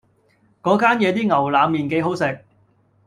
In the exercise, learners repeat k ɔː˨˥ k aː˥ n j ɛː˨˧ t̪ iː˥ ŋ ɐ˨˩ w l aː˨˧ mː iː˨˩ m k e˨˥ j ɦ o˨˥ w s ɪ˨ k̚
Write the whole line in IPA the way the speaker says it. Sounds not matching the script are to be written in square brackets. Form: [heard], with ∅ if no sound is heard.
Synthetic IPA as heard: k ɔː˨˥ k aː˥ n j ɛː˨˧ t̪ iː˥ ŋ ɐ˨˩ w l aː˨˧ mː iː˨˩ [n] k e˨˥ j ɦ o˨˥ w s ɪ˨ k̚